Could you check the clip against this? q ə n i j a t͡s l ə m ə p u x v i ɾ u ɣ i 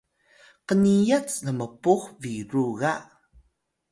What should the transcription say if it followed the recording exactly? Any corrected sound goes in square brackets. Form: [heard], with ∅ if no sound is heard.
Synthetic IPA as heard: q ə n i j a t͡s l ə m ə p u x v i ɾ u ɣ [a]